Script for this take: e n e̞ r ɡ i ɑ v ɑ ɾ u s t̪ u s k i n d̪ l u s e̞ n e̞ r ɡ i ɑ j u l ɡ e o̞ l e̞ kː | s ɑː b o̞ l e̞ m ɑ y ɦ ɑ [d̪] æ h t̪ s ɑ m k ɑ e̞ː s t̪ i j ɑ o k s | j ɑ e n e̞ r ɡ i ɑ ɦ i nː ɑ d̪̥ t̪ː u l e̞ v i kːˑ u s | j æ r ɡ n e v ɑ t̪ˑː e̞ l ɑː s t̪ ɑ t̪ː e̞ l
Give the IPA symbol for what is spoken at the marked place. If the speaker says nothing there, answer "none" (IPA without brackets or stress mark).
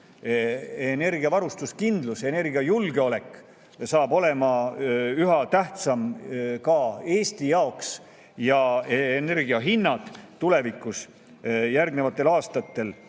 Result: t̪